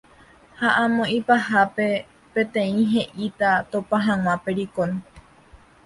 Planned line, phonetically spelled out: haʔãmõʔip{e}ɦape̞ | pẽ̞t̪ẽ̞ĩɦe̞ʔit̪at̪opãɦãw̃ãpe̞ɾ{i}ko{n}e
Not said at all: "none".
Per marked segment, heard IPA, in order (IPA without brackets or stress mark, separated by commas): a, i, n